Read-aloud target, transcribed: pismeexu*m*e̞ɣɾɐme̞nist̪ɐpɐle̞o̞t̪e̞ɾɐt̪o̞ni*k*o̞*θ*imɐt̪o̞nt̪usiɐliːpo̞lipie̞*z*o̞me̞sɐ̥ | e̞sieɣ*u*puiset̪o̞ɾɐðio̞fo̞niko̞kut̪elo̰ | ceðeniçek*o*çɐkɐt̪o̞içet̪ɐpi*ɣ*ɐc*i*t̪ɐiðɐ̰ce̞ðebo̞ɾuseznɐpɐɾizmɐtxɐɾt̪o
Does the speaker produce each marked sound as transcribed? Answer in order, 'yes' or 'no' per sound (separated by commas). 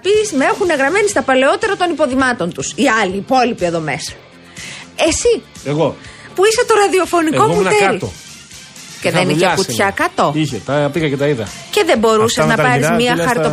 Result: no, no, no, no, no, no, yes, no